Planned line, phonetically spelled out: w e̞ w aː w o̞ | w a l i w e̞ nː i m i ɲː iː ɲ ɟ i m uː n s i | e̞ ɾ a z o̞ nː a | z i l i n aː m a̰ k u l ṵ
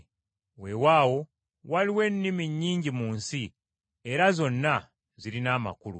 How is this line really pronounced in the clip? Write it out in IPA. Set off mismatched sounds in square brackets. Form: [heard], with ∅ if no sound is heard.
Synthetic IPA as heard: w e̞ w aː w o̞ | w a l i w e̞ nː i m i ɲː iː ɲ ɟ i m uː n s i | e̞ ɾ a z o̞ nː a | z i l i n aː m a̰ k u l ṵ